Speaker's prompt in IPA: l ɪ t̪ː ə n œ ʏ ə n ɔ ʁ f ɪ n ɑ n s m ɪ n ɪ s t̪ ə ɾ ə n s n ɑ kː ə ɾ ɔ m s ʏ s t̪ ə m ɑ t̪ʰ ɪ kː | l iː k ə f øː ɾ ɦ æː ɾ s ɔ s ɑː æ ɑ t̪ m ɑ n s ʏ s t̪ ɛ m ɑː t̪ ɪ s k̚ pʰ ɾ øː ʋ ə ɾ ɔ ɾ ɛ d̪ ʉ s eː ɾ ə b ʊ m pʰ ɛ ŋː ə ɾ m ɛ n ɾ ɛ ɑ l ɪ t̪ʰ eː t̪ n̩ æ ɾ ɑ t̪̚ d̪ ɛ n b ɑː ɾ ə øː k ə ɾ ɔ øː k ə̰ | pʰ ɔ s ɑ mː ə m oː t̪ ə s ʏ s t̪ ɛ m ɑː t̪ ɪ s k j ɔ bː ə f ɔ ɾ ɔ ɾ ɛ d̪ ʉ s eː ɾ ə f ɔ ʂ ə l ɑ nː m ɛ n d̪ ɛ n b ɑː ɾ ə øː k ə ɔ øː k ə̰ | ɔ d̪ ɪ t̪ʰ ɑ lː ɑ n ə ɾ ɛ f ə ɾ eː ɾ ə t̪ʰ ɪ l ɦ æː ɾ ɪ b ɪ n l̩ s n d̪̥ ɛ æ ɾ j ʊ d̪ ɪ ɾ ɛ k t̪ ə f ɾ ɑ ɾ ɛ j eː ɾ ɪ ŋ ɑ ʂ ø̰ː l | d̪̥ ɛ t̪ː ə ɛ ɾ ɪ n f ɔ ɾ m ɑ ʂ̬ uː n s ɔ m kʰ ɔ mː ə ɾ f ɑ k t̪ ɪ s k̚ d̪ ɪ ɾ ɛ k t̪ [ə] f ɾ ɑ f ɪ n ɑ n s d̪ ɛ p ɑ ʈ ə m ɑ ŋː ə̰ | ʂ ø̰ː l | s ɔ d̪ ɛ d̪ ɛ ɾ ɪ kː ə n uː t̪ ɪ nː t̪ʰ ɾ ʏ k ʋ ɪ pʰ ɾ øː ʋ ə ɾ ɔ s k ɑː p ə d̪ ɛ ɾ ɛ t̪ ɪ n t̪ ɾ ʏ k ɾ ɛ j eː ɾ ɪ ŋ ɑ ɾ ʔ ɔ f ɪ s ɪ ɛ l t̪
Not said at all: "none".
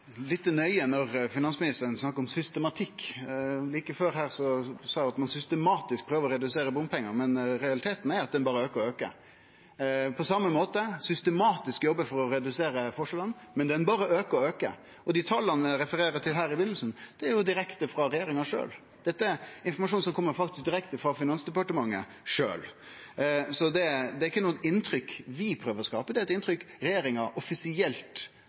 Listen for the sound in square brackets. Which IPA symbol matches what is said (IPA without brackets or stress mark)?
ə